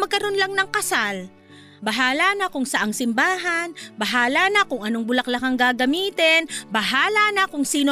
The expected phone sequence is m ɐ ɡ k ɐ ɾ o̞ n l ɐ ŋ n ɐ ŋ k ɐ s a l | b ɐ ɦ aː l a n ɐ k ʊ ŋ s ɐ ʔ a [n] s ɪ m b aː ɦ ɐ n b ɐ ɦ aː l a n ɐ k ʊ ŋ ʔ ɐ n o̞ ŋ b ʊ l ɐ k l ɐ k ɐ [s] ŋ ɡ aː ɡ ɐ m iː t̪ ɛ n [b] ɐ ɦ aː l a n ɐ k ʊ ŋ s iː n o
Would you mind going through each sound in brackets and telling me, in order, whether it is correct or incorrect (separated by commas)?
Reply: incorrect, incorrect, correct